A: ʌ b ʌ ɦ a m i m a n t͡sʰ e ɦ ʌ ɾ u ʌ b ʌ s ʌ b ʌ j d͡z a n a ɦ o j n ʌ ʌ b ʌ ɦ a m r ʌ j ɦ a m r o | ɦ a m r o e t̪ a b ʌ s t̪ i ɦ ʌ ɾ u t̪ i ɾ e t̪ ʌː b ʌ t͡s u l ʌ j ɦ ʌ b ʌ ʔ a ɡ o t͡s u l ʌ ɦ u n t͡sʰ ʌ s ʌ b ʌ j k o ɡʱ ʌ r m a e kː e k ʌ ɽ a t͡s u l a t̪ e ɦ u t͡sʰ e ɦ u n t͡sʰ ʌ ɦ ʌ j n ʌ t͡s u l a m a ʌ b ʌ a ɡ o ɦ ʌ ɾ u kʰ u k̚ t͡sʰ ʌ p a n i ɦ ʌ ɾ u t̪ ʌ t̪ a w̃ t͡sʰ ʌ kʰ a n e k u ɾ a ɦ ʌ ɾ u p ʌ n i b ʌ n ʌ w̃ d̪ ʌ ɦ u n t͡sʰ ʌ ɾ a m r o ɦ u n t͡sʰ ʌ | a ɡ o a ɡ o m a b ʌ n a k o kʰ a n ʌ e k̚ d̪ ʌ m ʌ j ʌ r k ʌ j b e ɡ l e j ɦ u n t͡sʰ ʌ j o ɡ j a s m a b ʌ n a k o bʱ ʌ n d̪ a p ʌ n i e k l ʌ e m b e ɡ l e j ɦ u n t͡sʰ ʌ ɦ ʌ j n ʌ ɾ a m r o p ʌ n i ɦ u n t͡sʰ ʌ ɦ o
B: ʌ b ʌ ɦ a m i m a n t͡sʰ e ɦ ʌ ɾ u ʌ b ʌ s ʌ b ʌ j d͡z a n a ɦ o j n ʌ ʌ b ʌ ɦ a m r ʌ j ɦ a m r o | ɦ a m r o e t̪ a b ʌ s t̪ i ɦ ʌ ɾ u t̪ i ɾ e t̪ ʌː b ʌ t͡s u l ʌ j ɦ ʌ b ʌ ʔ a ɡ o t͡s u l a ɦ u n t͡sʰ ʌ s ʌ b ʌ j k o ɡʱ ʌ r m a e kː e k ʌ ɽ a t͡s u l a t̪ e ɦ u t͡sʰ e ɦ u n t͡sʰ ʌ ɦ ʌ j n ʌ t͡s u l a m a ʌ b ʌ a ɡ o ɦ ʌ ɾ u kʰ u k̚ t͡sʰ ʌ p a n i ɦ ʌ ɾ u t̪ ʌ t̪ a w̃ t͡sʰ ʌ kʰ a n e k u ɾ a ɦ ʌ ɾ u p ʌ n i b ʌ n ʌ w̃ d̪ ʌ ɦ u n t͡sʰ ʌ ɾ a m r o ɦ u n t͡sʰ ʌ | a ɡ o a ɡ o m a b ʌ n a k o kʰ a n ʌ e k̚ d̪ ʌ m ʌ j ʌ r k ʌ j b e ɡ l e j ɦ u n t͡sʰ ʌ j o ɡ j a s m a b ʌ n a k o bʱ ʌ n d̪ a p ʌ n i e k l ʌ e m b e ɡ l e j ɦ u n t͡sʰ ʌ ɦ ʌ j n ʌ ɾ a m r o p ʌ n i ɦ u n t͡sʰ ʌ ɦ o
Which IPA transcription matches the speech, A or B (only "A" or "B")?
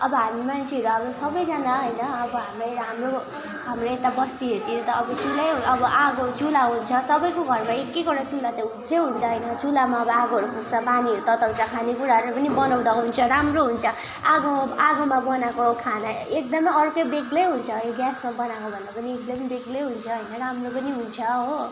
B